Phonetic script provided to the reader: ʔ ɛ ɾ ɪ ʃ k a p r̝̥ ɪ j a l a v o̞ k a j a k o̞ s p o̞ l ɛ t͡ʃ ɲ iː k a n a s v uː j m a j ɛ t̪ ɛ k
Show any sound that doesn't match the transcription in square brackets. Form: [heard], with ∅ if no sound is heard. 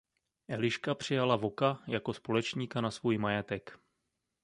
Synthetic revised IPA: ʔ ɛ [l] ɪ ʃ k a p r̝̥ ɪ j a l a v o̞ k a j a k o̞ s p o̞ l ɛ t͡ʃ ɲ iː k a n a s v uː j m a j ɛ t̪ ɛ k